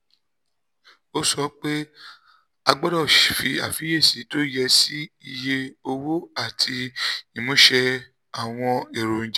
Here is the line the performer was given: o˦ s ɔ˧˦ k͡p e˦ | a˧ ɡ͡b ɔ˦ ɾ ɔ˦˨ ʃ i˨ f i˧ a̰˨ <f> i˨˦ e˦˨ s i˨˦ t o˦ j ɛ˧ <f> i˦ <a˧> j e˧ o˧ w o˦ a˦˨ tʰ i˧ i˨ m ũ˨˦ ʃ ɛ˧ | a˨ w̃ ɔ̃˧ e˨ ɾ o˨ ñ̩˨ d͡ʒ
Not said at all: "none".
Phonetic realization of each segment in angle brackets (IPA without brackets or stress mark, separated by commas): f, s, i˧